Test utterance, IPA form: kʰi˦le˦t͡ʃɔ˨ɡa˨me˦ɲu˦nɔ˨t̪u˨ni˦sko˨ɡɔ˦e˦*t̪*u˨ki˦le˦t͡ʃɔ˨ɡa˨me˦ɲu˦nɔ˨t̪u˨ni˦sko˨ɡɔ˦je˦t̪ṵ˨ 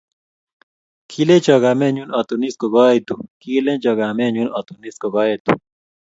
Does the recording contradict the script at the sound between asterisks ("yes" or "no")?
no